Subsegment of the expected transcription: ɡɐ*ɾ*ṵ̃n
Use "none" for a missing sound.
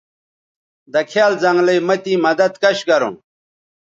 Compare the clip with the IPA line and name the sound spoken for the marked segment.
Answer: ɾ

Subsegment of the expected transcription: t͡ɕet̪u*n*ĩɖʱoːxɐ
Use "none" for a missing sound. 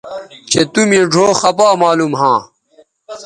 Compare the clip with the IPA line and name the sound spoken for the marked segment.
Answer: m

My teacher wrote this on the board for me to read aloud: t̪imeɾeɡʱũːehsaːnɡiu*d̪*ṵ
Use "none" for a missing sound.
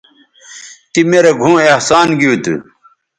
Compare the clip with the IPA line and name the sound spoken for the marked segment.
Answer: t̪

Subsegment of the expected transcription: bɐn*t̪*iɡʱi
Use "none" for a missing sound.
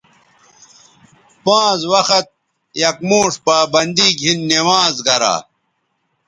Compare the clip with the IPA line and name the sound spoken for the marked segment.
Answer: d̪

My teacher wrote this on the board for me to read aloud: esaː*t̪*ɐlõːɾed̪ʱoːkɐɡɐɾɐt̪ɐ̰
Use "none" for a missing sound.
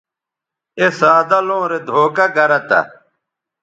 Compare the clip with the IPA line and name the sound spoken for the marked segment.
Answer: d̪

